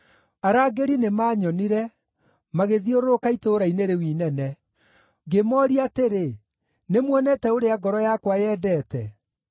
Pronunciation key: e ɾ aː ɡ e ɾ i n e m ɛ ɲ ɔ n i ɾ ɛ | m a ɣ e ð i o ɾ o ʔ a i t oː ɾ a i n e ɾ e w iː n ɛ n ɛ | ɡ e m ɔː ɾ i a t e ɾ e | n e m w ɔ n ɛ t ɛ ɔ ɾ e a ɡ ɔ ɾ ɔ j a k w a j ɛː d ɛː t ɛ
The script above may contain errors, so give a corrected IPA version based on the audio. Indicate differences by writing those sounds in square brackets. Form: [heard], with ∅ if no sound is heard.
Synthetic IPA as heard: [a] ɾ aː ɡ e ɾ i n e m [a] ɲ ɔ n i ɾ ɛ | m a ɣ e ð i o ɾ o [k] a i t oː ɾ a i n e ɾ e w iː n ɛ n ɛ | ɡ e m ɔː ɾ i a t e ɾ e | n e m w ɔ n ɛ t ɛ [o] ɾ e a ɡ ɔ ɾ ɔ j a k w a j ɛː d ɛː t ɛ